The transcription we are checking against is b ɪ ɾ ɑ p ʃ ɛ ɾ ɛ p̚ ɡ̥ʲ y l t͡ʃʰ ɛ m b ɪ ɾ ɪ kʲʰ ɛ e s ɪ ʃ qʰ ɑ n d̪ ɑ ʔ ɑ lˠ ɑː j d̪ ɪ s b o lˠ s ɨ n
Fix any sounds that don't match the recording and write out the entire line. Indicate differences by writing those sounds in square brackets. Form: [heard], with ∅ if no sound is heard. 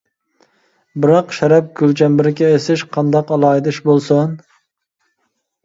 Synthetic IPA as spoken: b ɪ ɾ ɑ [q] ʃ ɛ ɾ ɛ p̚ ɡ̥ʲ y l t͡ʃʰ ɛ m b ɪ ɾ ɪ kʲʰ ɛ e s ɪ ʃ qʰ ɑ n d̪ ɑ [q] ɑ lˠ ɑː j d̪ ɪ [ʃ] b o lˠ s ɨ n